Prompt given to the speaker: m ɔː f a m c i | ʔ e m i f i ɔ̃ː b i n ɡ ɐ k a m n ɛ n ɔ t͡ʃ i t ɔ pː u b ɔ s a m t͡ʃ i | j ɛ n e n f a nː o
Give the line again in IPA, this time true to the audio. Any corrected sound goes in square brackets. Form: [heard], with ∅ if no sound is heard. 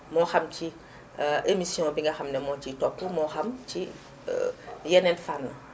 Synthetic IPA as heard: m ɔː [x] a m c i | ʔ e m i [s] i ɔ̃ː b i [ŋ] ɡ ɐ [x] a m n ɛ [m] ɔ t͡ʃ i t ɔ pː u [m] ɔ [x] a m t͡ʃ i | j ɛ n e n f a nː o